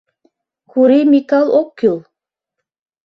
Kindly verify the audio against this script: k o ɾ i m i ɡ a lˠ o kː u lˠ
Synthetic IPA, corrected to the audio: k u ɾ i m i k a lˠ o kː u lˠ